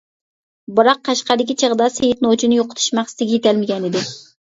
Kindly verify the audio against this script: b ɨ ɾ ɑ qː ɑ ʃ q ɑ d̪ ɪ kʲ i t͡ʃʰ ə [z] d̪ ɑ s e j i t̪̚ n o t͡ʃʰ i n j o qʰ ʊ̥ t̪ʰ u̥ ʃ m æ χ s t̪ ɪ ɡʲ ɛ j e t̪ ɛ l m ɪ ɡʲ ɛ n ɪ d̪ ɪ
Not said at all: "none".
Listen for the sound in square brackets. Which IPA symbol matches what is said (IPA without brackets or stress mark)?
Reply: ʁ